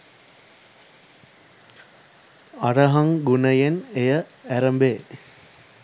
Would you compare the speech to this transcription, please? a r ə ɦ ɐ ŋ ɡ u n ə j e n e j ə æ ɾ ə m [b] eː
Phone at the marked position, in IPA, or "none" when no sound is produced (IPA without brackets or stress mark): b